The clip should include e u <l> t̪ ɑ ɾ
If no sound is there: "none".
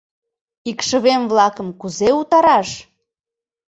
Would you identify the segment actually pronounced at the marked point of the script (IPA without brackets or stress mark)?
none